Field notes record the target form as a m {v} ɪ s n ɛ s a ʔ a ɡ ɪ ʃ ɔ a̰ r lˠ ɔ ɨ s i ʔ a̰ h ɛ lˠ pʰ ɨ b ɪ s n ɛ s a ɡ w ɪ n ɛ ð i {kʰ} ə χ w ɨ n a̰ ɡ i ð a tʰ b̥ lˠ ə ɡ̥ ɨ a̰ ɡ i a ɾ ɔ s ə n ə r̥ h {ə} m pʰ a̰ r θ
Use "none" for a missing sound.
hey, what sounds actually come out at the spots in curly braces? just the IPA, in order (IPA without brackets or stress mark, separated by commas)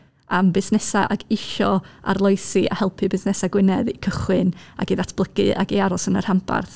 b, kʰ, a